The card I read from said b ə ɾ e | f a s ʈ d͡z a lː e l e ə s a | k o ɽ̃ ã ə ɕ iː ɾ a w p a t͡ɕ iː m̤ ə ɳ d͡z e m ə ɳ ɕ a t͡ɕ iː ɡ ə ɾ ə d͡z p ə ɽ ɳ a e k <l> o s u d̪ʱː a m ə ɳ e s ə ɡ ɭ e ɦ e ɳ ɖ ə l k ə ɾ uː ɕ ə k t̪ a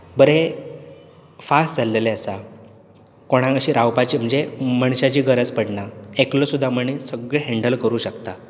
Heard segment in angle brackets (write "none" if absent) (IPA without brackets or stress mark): l